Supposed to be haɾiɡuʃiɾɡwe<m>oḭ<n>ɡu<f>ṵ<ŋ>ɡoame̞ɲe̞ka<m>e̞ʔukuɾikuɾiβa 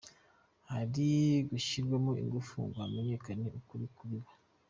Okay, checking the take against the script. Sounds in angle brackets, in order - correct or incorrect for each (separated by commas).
correct, incorrect, correct, correct, incorrect